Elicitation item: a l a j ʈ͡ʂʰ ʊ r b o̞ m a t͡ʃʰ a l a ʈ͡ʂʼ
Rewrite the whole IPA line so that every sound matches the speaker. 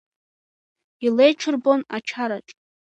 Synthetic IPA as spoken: i l e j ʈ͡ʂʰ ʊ r b o̞ n a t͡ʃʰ a ɾ a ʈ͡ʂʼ

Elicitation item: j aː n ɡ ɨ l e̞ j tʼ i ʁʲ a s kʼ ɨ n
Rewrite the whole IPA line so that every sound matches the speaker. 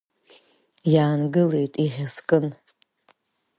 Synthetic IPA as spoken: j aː n ɡ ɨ l e̞ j tʼ i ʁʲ a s kʼ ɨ n

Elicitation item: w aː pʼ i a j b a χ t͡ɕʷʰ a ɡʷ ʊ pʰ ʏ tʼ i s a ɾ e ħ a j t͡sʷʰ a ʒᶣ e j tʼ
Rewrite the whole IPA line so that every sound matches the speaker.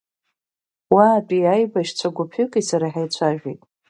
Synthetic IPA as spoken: w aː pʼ i a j b a ʃ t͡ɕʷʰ a ɡʷ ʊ pʰ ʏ kʼ i s a ɾ a ħ a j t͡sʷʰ a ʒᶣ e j tʼ

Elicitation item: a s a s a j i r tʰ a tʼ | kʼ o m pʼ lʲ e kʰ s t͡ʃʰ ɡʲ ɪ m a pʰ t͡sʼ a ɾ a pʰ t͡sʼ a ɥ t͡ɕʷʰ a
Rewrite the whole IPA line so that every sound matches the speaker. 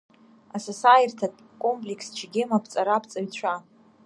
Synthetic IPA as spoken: a s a s a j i r tʰ a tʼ | kʼ o m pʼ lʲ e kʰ s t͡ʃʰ ɡʲ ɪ m a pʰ t͡sʼ a ɾ a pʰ t͡sʼ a ɥ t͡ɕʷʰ a

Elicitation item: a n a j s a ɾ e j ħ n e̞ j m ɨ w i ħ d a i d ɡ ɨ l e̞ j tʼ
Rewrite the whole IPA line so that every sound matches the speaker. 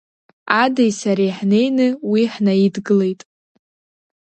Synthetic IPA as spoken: a d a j s a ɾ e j ħ n e̞ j n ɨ w i ħ n a i d ɡ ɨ l e̞ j tʼ

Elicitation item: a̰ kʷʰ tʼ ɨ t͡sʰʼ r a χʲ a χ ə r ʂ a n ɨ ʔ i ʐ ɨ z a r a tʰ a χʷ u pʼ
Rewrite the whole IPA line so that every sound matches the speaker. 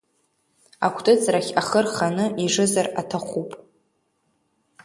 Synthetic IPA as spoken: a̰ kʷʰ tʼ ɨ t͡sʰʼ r a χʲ a χ ə r χ a n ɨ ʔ i ʐ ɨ z a r a tʰ a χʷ u pʼ

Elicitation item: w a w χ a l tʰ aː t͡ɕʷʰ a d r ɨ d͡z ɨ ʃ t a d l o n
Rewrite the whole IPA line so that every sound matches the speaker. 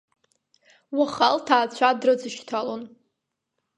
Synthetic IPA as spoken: w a χ a l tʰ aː t͡ɕʷʰ a d r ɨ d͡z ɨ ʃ tʰ a l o n

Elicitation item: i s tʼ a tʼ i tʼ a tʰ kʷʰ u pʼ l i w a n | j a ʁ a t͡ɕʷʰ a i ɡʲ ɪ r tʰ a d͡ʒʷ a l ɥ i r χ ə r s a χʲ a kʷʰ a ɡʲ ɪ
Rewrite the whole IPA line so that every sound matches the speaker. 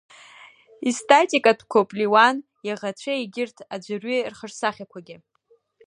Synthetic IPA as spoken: i s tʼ a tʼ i kʼ a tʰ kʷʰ o pʼ l i w a n | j a ʁ a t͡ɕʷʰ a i ɡʲ ɪ r tʰ a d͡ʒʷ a r ɥ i r χ ə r s a χʲ a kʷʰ a ɡʲ ɪ

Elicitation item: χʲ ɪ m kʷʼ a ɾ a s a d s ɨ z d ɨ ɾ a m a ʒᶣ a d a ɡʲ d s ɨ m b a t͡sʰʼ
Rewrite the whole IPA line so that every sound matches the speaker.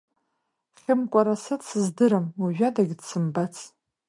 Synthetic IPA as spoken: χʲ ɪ m kʷʼ a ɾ a s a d s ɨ z d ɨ ɾ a m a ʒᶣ a d a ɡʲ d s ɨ m b a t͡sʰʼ

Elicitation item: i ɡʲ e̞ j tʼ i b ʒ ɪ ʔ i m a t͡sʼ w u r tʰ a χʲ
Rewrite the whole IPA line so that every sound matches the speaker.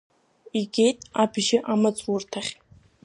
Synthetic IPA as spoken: i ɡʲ e̞ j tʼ a b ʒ ɪ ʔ a m a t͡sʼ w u r tʰ a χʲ

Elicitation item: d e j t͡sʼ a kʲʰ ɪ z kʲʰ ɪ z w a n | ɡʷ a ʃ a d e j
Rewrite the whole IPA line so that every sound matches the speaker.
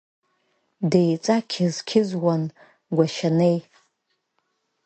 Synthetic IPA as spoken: d e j t͡sʼ a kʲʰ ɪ z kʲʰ ɪ z w a n | ɡʷ a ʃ a n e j

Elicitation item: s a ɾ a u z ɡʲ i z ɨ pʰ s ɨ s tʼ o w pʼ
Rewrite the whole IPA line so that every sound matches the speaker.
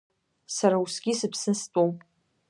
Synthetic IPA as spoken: s a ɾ a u s ɡʲ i s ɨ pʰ s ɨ s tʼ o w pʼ

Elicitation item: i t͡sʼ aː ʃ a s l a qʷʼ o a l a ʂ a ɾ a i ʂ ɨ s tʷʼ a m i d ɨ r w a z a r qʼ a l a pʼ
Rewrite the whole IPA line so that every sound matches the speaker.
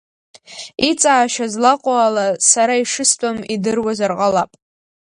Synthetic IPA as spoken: i t͡sʼ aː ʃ a z l a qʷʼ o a l a s a ɾ a i ʂ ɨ s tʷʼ a m i d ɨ r w a z a r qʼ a l a pʼ

